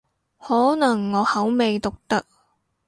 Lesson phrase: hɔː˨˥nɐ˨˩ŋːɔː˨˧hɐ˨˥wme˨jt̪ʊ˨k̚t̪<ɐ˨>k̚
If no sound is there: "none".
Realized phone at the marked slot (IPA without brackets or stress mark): ɐ˥